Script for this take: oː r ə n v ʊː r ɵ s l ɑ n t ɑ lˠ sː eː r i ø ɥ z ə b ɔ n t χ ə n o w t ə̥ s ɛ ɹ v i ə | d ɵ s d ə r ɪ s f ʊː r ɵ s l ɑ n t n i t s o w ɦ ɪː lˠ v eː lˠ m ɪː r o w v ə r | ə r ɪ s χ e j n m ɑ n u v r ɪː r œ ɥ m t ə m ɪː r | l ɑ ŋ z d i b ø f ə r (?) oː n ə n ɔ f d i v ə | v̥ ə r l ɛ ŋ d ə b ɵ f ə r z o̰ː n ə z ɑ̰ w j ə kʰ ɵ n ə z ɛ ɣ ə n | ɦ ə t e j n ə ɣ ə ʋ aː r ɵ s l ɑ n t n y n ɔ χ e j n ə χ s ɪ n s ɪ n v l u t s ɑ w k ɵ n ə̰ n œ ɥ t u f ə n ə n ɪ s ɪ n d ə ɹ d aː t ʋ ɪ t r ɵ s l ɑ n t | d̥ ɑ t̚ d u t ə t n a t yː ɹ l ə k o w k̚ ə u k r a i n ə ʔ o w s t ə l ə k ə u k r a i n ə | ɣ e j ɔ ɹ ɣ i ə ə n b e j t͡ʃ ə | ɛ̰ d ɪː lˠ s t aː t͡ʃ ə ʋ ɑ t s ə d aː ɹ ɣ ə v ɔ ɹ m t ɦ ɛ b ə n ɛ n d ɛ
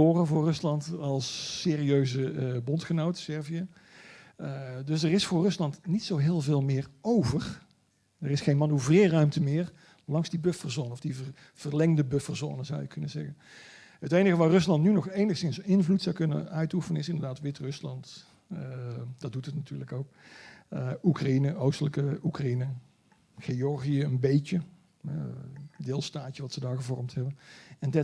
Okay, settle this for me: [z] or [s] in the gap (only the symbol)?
z